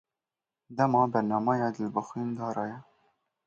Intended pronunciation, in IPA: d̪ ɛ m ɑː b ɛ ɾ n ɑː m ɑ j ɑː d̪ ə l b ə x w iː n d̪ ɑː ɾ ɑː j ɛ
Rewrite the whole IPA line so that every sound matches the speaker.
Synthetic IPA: d̪ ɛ m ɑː b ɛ ɾ n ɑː m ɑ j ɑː d̪ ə l b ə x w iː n d̪ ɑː ɾ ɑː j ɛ